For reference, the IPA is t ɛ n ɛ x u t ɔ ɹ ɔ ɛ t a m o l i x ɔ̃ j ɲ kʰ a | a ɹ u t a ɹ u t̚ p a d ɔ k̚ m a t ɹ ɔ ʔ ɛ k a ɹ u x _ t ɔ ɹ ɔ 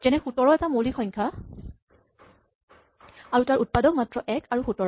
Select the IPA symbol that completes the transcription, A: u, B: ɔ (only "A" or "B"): A